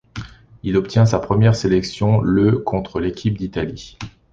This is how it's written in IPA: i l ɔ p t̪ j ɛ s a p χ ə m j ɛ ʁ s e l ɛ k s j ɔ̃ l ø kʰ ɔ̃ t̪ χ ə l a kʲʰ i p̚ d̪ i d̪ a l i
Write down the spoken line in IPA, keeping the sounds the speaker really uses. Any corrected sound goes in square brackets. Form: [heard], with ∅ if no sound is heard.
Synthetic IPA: i l ɔ p t̪ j [ɛ̃] s a p χ ə m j ɛ ʁ s e l ɛ k s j ɔ̃ l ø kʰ ɔ̃ t̪ χ ə l [e] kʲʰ i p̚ d̪ i [t̪] a l i